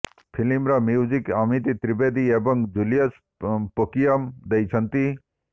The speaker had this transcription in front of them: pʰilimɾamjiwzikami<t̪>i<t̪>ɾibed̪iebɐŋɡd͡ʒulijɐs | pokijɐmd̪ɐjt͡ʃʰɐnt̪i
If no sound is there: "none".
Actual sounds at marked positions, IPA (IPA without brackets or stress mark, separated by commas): t̪, t̪